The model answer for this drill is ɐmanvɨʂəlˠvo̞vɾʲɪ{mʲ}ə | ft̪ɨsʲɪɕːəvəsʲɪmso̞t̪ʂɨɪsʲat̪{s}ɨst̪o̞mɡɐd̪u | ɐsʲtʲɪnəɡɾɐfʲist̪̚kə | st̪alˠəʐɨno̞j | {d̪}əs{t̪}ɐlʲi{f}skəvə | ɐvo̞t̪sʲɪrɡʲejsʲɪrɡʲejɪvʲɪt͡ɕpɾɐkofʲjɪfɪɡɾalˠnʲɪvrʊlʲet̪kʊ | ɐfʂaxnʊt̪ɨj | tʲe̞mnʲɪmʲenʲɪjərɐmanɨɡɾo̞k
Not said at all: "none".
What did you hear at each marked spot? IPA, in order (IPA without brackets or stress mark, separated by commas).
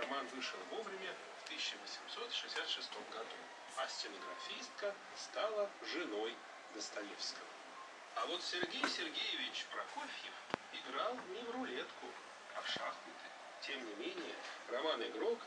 mʲ, ʂ, d̪, t̪, f